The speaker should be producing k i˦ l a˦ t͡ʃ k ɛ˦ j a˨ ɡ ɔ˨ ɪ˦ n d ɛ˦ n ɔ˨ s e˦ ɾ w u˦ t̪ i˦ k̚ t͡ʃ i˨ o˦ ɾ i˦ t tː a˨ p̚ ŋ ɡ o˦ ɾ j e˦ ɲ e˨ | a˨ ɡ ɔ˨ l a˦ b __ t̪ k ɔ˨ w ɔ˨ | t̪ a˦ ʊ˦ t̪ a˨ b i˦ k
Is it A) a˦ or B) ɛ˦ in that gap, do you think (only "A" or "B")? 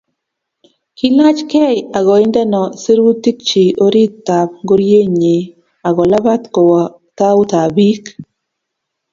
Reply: A